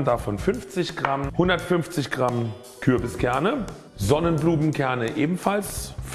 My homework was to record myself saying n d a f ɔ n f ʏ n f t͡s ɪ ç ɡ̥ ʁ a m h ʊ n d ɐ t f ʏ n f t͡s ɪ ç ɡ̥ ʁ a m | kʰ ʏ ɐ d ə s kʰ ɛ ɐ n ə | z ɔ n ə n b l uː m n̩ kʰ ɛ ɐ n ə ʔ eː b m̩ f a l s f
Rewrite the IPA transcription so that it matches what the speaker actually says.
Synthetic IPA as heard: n d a f ɔ n f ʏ n f t͡s ɪ ç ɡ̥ ʁ a m h ʊ n d ɐ t f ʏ n f t͡s ɪ ç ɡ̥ ʁ a m | kʰ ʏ ɐ b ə s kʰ ɛ ɐ n ə | z ɔ n ə n b l uː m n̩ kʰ ɛ ɐ n ə ʔ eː b m̩ f a l s f